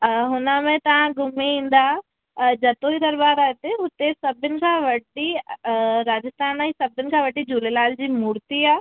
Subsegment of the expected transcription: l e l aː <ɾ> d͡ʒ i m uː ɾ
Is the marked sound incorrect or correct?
incorrect